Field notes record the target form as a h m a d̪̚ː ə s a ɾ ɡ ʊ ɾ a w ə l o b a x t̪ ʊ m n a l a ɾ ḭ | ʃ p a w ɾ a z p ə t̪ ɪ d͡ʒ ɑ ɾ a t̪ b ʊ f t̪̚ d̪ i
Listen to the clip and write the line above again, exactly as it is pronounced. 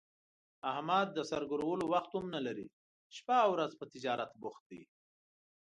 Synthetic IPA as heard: a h m a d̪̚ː ə s a ɾ ɡ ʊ ɾ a w ə l o w a x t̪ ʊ m n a l a ɾ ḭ | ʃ p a w ɾ a z p ə t̪ ɪ d͡ʒ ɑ ɾ a t̪ b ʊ x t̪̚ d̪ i